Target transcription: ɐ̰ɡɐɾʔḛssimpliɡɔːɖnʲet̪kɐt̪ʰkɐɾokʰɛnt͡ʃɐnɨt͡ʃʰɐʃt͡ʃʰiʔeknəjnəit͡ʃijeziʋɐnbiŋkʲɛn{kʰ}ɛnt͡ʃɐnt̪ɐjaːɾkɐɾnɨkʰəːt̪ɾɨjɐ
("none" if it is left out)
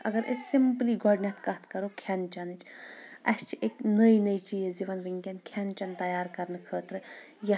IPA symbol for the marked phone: kʰ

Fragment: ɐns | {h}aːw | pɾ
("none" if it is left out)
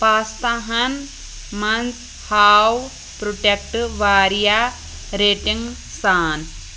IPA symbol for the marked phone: h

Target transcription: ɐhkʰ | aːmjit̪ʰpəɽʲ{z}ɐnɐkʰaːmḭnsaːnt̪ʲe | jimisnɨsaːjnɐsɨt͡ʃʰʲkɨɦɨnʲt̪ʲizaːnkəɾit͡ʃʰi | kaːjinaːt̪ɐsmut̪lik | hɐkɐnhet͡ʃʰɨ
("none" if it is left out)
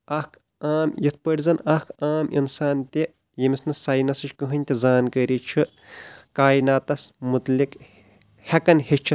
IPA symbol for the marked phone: z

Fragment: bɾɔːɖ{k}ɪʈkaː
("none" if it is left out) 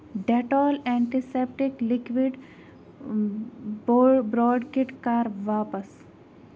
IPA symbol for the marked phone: k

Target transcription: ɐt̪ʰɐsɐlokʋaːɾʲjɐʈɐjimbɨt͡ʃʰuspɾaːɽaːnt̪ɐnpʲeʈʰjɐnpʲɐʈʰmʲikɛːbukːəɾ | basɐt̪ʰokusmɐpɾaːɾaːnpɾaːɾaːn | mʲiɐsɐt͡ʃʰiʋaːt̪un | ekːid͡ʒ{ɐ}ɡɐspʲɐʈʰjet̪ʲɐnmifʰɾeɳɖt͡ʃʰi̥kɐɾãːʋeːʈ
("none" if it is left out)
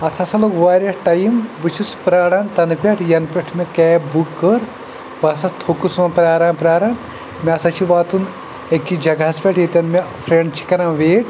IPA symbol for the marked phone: ɐ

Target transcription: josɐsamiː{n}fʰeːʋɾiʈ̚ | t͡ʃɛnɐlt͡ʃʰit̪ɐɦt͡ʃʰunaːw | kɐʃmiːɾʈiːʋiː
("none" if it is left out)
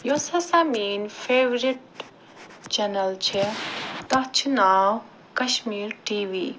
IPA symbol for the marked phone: n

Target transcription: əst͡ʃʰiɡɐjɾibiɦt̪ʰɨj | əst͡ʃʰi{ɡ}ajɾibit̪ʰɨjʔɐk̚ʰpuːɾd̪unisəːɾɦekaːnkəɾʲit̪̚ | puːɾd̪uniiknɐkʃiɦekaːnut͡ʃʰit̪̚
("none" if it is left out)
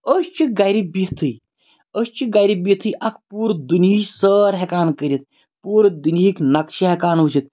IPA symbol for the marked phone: ɡ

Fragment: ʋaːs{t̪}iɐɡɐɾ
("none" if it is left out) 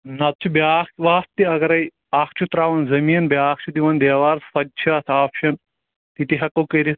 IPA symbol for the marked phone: t̪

